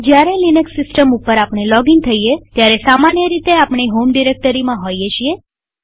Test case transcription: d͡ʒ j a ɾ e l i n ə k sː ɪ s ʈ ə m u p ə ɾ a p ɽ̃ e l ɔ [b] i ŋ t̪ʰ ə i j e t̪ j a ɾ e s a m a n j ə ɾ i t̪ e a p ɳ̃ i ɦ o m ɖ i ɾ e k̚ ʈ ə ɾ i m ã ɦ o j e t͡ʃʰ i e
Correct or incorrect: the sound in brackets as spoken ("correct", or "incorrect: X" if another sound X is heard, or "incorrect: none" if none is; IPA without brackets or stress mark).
incorrect: ɡ